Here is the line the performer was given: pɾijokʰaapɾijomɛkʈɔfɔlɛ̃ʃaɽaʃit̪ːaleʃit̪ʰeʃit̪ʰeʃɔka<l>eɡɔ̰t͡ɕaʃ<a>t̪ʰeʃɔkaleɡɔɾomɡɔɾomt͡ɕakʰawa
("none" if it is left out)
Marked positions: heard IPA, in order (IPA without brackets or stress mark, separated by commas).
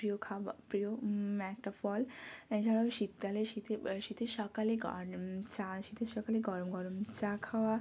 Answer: l, i